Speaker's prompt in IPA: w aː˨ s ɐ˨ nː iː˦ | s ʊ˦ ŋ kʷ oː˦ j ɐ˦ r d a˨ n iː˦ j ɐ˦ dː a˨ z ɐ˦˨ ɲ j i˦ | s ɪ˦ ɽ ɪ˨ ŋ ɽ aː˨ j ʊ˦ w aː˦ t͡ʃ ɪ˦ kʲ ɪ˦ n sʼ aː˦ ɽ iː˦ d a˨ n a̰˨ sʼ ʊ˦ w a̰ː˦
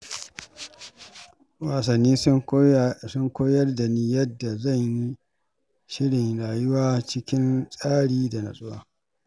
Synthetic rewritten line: w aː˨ s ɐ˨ nː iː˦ | s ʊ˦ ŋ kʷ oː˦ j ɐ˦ r d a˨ n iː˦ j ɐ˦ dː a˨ z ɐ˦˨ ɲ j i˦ | ʃ ɪ˦ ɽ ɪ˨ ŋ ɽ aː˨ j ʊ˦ w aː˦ t͡ʃ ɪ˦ kʲ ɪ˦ n sʼ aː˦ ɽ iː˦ d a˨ n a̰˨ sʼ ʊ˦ w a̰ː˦